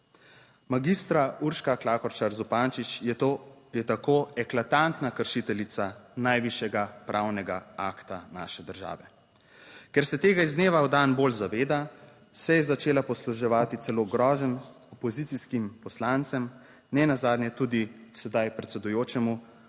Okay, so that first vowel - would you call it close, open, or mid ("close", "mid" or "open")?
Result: open